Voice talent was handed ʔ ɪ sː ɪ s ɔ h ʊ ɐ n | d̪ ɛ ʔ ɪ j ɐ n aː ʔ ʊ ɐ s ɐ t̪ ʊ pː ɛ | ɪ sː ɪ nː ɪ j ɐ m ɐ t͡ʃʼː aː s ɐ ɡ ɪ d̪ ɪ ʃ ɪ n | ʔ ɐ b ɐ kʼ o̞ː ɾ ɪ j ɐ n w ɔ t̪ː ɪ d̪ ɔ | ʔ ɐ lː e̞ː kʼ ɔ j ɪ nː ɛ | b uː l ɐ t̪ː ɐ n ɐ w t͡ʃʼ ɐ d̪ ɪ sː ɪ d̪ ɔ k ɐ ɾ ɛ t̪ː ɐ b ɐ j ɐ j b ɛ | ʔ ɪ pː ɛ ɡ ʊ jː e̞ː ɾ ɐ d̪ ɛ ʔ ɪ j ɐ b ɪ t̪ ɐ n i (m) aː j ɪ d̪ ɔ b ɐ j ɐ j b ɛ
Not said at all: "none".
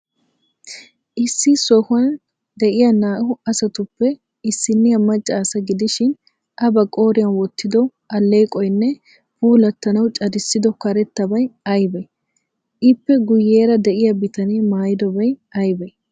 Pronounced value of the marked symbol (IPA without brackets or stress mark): m